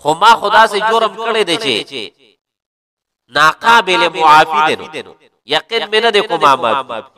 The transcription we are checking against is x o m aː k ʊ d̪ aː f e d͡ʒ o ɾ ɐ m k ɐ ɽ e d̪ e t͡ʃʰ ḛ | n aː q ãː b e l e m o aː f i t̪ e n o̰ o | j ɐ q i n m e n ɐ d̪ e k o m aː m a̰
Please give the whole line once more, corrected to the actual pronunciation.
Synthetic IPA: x o m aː x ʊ d̪ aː s e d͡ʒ o ɾ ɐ m k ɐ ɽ e d̪ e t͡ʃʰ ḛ | n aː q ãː b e l e m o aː f i d̪ e n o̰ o | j ɐ q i n m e n ɐ d̪ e k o m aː m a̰